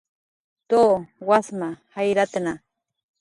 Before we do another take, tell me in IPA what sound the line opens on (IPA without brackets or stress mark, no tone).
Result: t̪